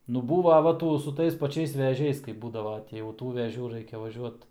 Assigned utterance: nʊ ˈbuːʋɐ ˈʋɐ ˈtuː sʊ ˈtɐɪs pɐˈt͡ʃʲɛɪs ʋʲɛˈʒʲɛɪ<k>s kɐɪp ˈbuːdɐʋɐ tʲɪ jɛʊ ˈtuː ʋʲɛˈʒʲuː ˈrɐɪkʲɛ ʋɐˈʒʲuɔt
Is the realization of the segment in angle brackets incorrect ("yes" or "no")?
yes